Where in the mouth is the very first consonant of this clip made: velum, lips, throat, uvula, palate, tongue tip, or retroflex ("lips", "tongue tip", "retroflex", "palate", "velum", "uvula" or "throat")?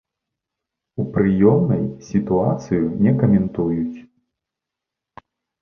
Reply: lips